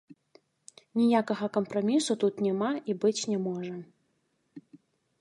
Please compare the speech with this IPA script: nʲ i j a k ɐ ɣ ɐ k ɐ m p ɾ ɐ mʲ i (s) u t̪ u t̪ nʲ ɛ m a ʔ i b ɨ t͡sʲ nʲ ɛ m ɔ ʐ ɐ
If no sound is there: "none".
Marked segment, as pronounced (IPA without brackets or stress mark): s